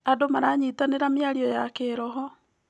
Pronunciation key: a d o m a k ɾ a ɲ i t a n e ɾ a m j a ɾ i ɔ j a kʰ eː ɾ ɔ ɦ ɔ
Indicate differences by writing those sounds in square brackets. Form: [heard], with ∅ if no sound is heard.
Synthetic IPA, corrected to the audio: a d o m a [∅] ɾ a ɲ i t a n e ɾ a m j a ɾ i ɔ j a [k] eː ɾ ɔ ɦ ɔ